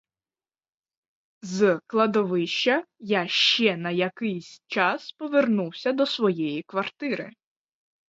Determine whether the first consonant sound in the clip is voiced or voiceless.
voiced